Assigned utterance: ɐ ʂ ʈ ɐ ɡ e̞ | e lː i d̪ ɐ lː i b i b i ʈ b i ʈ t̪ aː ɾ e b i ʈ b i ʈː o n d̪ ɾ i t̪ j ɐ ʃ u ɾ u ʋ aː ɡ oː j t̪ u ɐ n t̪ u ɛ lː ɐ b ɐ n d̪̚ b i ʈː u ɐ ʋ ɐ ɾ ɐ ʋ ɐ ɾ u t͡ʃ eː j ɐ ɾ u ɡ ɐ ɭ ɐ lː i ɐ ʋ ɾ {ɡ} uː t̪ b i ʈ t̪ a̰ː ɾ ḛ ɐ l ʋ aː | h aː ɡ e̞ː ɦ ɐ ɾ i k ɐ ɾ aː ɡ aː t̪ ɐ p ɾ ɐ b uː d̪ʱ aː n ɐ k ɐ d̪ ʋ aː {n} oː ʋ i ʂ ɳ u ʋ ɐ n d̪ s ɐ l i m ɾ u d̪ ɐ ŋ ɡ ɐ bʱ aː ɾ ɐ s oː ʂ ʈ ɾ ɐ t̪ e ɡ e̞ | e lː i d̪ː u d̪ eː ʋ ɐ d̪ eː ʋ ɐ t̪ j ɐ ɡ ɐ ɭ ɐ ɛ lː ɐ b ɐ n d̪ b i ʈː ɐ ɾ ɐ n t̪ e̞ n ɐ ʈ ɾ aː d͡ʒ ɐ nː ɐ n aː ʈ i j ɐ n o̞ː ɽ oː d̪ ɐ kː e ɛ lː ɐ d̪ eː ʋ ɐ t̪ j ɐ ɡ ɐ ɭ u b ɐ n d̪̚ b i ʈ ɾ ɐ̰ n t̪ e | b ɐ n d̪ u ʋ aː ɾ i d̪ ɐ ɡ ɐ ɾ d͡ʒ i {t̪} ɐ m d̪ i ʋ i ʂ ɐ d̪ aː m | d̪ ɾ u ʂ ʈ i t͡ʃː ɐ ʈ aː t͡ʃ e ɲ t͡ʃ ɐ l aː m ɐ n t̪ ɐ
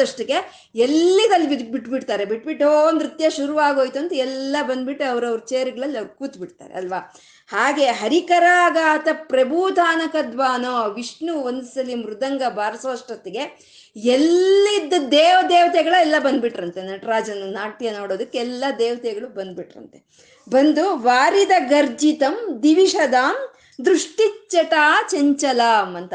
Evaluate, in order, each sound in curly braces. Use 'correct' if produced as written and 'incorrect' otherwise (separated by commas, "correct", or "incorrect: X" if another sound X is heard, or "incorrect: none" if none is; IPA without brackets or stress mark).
incorrect: k, correct, correct